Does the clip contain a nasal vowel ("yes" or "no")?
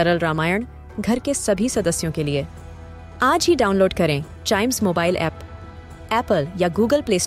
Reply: yes